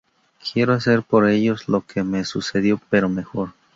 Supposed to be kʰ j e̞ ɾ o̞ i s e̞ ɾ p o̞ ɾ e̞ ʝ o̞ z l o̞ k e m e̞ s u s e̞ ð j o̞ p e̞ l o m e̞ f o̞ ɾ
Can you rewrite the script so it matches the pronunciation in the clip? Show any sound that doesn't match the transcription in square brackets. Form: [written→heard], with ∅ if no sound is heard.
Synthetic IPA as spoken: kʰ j e̞ ɾ o̞ [i→a] s e̞ ɾ p o̞ ɾ e̞ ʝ o̞ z l o̞ k e m e̞ s u s e̞ ð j o̞ p e̞ [l→ɾ] o m e̞ [f→x] o̞ ɾ